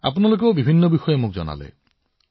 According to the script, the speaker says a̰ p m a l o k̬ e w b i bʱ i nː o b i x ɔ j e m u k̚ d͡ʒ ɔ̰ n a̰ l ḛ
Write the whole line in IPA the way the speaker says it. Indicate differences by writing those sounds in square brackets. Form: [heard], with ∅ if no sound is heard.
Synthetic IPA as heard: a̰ p [n] a l o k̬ e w b i bʱ i nː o b i x ɔ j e m u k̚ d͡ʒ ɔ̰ n a̰ l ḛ